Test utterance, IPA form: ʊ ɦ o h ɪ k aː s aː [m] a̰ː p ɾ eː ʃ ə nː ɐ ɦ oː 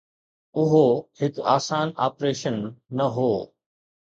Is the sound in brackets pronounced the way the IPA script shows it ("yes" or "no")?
no